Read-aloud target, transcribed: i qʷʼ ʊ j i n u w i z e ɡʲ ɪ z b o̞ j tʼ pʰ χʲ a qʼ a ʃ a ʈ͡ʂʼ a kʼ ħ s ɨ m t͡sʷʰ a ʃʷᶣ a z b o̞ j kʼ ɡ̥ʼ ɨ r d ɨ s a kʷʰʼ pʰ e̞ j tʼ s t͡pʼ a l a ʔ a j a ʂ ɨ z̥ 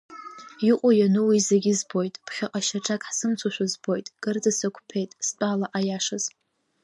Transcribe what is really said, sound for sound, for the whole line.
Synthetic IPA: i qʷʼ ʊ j a n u w i z e ɡʲ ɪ z b o̞ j tʼ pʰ χʲ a qʼ a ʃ a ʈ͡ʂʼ a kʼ ħ s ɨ m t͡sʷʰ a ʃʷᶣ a z b o̞ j tʼ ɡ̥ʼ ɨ r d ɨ s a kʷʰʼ pʰ e̞ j tʼ s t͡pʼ a l a ʔ a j a ʂ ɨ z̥